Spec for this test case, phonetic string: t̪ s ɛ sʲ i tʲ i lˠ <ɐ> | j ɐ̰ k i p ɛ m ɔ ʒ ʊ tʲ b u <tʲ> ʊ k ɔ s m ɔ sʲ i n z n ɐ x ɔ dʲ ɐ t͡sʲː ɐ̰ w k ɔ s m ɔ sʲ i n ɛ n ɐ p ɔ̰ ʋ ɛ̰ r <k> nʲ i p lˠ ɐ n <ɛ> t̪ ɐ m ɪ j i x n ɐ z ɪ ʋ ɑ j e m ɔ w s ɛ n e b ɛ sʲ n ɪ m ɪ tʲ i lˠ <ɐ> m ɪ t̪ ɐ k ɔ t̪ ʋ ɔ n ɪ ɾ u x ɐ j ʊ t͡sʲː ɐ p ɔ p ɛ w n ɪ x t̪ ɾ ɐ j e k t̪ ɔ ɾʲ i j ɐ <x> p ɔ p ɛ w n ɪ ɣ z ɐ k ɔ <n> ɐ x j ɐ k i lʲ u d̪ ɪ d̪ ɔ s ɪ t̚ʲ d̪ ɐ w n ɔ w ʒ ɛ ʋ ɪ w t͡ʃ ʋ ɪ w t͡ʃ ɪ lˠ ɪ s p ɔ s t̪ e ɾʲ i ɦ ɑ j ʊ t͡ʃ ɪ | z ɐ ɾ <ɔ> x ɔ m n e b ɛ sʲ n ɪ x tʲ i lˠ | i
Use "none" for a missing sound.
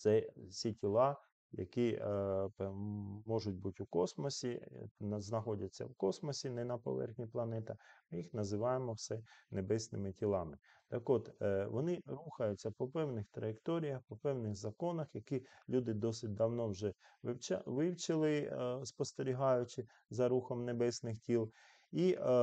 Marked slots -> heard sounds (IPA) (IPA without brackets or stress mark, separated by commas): ɑ, tʲ, x, ɛ, ɑ, x, n, u